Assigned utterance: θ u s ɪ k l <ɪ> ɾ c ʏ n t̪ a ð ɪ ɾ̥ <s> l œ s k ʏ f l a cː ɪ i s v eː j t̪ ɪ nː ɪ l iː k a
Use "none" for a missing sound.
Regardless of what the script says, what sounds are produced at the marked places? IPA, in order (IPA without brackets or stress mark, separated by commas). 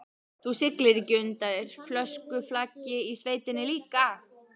ɪ, f